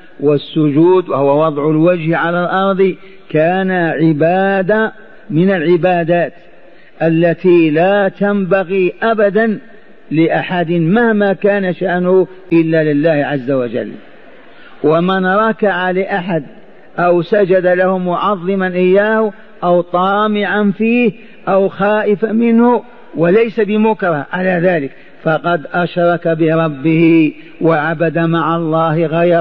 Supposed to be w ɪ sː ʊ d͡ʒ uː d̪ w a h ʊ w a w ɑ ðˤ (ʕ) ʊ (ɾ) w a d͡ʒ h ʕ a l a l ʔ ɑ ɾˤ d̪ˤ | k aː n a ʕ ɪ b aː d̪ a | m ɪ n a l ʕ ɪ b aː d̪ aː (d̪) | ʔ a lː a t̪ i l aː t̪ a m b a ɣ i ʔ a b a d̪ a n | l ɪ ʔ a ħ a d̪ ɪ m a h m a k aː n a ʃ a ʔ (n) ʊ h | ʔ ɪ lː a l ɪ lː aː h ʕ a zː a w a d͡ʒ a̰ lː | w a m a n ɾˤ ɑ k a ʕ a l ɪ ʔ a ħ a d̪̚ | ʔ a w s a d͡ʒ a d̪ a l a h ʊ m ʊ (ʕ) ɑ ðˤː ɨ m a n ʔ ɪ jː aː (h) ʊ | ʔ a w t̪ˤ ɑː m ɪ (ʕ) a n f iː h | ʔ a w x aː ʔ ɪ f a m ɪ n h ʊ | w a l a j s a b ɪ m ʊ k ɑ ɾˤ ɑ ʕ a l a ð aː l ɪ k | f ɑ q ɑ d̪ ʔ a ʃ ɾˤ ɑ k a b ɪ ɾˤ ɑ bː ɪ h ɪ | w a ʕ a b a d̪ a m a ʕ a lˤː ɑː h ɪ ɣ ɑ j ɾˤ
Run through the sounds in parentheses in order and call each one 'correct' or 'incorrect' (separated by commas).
correct, incorrect, incorrect, correct, correct, correct, correct